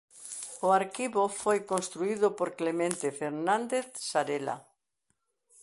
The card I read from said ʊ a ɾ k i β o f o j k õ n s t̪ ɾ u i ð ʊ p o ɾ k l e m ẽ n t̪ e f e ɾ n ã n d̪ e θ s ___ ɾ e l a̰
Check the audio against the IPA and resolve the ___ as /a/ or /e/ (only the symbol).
a